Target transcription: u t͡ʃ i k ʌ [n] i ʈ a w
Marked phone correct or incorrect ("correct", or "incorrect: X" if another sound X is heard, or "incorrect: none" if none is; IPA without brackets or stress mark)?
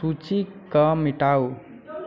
incorrect: m